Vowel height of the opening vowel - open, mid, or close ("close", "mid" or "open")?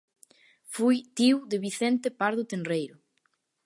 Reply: close